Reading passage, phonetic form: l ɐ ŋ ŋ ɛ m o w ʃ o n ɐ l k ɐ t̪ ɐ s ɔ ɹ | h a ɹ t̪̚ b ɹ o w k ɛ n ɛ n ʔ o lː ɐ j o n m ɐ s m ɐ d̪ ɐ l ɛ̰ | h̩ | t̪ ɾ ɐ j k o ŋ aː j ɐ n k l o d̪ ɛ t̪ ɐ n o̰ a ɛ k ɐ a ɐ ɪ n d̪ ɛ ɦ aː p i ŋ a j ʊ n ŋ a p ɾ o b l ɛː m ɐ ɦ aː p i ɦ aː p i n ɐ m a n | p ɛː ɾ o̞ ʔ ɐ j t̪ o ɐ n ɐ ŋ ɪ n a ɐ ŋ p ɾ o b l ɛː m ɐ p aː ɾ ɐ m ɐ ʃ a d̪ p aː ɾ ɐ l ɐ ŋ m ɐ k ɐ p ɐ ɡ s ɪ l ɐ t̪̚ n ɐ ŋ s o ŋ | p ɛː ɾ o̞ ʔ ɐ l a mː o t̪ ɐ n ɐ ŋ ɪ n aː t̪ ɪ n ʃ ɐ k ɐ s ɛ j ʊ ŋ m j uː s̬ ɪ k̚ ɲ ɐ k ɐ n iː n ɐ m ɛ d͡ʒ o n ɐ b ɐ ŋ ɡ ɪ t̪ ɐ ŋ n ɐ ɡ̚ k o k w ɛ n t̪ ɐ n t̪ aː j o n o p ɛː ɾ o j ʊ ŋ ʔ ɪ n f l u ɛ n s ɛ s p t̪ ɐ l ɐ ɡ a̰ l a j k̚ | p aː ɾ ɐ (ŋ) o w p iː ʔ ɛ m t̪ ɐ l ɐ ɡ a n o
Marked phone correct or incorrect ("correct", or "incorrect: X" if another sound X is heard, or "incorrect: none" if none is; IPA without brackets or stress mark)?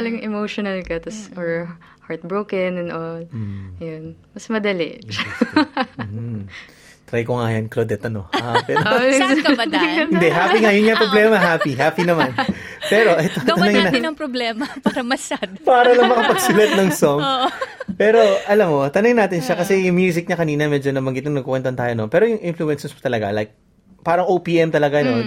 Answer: correct